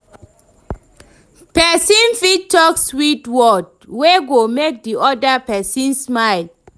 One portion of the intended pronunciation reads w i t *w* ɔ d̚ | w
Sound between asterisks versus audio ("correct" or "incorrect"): correct